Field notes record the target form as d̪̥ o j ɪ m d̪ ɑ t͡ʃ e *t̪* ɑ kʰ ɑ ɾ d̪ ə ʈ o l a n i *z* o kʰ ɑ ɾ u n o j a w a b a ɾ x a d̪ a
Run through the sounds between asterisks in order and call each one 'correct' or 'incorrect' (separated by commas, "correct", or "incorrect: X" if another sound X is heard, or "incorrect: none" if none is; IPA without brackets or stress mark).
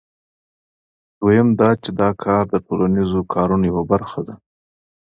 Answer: incorrect: d̪, correct